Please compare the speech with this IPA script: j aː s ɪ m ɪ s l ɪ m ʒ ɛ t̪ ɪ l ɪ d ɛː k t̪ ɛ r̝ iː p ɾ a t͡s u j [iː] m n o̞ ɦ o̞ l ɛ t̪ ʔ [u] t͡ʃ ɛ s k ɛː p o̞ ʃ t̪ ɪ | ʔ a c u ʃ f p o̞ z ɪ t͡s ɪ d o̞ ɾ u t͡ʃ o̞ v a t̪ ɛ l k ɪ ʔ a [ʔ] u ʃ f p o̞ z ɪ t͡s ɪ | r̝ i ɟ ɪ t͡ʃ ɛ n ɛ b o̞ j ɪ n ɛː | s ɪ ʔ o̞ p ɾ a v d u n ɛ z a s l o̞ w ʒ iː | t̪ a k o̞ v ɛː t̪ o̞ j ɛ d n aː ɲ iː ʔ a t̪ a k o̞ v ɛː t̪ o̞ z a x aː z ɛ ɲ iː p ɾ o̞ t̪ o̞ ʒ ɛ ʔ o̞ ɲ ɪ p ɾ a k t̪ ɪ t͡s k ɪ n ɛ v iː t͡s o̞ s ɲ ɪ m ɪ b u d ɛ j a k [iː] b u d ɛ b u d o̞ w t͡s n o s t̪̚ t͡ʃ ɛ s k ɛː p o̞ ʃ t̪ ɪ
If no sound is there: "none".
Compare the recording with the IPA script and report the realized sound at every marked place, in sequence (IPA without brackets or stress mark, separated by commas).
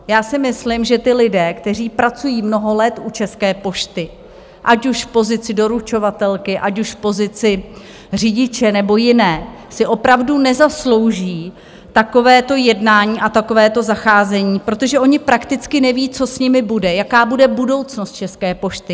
iː, u, c, aː